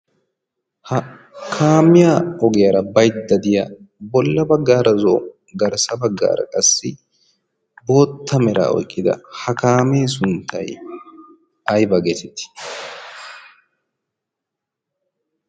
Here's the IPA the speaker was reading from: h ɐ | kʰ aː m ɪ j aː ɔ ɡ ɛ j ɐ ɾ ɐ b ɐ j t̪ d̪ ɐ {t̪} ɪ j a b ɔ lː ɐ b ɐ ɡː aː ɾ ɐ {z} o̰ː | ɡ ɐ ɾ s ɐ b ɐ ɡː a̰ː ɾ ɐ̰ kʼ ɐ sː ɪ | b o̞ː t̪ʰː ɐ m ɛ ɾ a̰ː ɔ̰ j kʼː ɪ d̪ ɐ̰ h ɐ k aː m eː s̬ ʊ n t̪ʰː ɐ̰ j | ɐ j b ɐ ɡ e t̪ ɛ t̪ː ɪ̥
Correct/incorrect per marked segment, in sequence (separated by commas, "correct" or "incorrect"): incorrect, correct